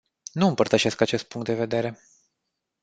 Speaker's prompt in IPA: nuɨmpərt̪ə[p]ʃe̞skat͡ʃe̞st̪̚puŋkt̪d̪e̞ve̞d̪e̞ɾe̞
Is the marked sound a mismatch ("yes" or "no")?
yes